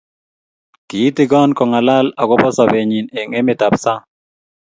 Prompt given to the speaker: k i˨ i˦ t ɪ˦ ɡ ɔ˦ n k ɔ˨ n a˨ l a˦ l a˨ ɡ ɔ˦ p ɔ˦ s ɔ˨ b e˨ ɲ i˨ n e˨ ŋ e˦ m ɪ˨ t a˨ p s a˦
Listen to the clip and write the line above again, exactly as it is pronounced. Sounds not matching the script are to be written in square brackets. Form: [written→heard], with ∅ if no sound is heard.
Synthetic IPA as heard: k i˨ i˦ t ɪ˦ ɡ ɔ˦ n k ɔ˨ [n→ŋ] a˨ l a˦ l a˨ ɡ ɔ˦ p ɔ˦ s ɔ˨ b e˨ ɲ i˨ n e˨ ŋ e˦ m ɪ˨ t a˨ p s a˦